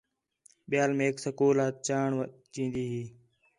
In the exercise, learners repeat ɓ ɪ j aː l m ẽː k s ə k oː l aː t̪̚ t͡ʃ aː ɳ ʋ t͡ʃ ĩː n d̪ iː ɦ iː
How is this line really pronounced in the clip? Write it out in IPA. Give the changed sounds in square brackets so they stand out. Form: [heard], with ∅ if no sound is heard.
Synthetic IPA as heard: ɓ ɪ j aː l m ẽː k s ə k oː l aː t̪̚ t͡ʃ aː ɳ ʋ t͡ʃ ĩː n d̪ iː ɦ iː